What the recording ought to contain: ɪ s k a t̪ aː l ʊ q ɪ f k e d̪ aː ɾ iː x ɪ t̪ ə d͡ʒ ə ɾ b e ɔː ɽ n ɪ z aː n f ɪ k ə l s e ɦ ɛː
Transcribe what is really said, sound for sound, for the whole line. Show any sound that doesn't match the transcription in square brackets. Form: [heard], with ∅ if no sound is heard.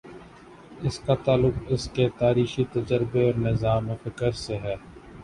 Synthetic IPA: ɪ s k a t̪ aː l ʊ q ɪ [s] k e [t̪] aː ɾ iː x [i] t̪ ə d͡ʒ ə ɾ b e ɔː [ɾ] n ɪ z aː [m] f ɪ k ə [ɾ] s e ɦ ɛː

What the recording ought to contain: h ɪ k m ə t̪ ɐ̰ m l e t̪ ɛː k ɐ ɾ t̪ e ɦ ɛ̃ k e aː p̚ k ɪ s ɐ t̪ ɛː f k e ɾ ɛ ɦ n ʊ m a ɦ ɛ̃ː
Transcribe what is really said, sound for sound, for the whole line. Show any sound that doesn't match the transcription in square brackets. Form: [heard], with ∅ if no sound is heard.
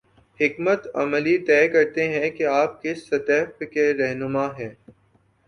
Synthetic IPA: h ɪ k m ə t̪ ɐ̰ m l [i] t̪ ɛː k ɐ ɾ t̪ e ɦ ɛ̃ k e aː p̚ k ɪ s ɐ t̪ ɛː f k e ɾ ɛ ɦ n ʊ m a ɦ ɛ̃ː

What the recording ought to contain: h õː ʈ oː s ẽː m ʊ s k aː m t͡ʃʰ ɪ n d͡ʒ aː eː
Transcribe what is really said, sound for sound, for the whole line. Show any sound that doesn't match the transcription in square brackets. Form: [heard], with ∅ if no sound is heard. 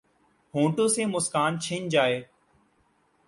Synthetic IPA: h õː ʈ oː s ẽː m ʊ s k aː [n] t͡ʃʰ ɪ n d͡ʒ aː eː

